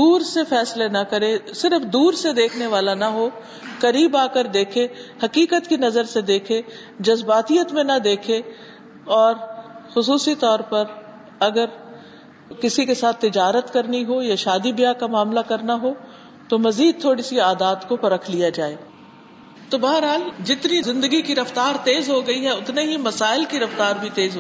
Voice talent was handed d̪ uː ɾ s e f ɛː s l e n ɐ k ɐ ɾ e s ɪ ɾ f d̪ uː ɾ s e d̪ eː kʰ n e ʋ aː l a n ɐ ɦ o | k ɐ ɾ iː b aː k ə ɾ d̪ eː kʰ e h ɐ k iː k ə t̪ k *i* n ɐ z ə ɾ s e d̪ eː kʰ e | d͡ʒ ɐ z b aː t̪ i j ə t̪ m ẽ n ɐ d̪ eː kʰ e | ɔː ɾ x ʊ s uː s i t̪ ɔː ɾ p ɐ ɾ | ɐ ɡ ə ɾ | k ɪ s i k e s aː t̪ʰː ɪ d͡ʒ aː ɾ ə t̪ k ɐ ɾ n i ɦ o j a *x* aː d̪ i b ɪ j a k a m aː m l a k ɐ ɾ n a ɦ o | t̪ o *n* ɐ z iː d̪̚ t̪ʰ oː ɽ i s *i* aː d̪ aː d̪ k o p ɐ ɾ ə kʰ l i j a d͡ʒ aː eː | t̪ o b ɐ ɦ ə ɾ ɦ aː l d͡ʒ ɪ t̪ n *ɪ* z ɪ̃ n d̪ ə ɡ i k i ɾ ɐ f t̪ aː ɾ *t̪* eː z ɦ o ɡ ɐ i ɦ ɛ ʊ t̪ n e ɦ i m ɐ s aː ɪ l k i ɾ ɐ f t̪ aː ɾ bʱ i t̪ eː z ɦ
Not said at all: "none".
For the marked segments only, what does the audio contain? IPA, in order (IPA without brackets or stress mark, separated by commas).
i, ʃ, m, i, i, t̪